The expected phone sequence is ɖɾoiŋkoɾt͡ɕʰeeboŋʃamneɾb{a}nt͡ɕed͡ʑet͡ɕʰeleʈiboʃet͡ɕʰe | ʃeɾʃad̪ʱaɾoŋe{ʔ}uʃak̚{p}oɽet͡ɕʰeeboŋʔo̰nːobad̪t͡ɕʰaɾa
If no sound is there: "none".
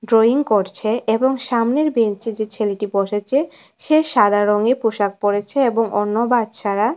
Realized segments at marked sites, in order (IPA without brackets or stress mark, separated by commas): e, p, p